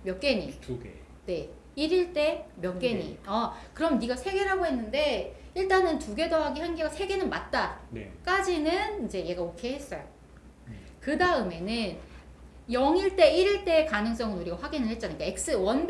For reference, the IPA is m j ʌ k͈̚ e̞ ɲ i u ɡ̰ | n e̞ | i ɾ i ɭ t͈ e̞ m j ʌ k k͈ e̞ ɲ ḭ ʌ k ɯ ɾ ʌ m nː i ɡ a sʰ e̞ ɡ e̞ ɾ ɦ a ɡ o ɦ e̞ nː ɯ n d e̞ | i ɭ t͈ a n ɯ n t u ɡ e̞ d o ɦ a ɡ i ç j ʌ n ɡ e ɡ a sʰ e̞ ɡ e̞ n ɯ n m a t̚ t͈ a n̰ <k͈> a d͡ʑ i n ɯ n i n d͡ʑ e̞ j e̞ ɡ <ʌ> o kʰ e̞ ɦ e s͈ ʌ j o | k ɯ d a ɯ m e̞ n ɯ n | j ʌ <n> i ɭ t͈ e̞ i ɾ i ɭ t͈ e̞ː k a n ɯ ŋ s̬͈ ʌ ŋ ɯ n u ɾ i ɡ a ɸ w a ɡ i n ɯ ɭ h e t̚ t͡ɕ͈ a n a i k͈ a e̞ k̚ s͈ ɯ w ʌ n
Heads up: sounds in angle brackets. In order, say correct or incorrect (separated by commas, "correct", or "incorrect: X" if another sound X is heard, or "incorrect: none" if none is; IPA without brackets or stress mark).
correct, incorrect: a, incorrect: ŋ